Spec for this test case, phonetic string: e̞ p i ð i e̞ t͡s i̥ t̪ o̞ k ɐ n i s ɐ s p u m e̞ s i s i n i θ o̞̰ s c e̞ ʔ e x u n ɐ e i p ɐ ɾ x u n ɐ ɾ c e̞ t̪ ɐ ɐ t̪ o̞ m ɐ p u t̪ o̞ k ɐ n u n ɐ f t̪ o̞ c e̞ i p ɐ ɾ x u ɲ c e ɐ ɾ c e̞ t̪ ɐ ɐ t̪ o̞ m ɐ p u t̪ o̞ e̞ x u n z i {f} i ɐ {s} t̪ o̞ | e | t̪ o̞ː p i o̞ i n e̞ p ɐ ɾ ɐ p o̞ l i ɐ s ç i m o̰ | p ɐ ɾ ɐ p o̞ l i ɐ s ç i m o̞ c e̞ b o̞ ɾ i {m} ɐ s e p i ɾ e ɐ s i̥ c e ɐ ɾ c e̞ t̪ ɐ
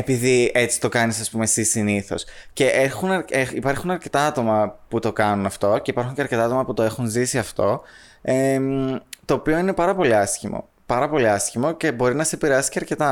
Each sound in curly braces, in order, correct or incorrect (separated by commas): incorrect, incorrect, incorrect